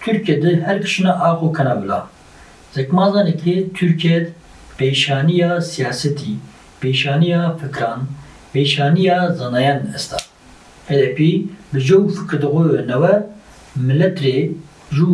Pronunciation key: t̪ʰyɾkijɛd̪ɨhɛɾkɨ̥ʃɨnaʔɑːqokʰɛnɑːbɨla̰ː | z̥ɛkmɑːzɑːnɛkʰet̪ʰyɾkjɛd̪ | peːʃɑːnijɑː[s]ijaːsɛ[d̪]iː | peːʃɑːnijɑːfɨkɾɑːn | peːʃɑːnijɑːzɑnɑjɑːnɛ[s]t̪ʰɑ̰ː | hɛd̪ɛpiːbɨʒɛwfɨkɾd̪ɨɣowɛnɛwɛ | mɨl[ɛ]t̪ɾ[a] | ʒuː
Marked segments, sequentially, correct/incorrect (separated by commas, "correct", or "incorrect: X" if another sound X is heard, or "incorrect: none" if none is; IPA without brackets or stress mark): correct, incorrect: t̪, correct, correct, incorrect: e